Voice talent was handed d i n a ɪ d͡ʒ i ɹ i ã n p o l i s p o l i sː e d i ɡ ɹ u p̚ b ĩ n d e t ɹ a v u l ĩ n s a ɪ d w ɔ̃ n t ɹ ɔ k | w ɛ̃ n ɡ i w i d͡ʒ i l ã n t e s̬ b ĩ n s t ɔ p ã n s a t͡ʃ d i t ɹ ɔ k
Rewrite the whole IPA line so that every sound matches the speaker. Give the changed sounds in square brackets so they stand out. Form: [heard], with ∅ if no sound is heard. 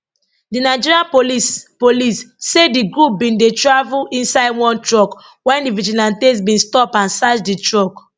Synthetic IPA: d i n a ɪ d͡ʒ i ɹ i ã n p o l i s p o l i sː e d i ɡ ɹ u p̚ b ĩ n d e t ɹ a v u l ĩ n s a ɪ d w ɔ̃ n t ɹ ɔ k | w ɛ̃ n [d] i [v] i d͡ʒ i l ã n t e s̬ b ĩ n s t ɔ p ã n s a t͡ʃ d i t ɹ ɔ k